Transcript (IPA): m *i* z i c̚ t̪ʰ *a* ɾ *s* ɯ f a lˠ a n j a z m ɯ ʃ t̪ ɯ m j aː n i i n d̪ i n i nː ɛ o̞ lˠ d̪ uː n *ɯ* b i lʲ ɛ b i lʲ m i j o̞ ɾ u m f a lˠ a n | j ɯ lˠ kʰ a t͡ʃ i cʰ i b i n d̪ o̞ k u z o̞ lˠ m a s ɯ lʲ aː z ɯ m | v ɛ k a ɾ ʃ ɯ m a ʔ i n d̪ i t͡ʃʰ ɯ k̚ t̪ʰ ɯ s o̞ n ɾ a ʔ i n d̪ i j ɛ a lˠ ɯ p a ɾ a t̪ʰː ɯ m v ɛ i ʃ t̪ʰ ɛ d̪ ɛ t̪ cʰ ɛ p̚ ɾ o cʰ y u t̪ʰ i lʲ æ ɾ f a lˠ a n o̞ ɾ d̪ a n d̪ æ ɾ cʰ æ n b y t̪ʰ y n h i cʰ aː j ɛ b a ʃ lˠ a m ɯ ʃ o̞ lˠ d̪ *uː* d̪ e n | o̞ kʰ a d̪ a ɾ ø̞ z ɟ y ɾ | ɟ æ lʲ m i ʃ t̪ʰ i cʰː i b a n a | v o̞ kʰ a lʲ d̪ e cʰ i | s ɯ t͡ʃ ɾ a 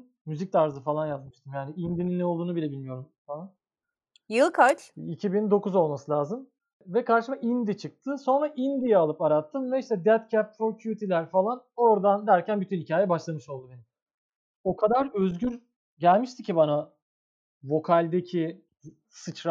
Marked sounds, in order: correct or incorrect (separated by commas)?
incorrect, correct, incorrect, incorrect, incorrect